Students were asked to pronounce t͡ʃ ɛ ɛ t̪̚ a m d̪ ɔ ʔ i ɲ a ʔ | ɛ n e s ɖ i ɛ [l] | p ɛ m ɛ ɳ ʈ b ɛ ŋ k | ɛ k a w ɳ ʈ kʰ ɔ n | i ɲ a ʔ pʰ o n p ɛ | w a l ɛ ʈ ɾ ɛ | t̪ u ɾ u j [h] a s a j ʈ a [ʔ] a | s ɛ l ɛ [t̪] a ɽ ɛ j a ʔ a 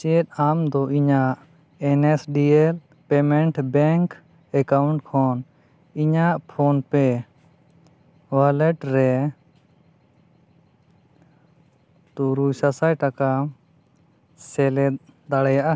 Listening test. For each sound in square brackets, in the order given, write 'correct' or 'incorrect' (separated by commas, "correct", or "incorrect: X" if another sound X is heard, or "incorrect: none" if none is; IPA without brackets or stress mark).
correct, incorrect: s, incorrect: k, incorrect: d̪